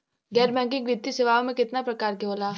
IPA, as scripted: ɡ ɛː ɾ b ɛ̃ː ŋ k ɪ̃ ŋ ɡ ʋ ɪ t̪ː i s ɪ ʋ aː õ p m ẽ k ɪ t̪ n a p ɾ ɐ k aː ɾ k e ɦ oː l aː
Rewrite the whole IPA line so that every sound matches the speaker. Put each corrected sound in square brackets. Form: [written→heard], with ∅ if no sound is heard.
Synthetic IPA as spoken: ɡ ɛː ɾ b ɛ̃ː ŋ k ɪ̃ ŋ ɡ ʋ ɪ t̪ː i s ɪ ʋ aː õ [p→∅] m ẽ k ɪ t̪ n a p ɾ ɐ k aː ɾ k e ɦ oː l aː